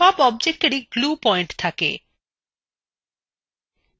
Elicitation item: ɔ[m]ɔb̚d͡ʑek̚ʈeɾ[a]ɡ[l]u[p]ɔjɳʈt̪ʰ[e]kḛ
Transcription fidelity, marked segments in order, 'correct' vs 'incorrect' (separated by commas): incorrect, incorrect, correct, correct, incorrect